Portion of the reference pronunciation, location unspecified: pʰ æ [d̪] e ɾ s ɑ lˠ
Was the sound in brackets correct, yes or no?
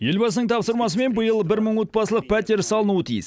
no